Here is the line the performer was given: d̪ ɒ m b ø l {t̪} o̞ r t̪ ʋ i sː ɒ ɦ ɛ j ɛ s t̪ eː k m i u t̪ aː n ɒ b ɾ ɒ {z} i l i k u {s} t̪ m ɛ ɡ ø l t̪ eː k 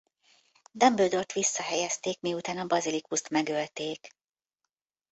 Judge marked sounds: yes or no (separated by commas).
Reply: no, yes, yes